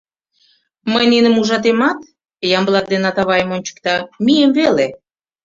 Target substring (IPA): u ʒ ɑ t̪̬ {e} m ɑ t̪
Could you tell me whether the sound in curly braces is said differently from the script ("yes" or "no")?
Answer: no